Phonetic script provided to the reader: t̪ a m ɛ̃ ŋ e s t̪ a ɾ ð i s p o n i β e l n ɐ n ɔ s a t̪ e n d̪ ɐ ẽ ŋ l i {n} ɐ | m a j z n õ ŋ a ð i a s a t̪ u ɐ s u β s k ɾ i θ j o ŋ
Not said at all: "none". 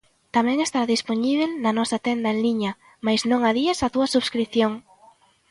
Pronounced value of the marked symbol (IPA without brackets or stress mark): ɲ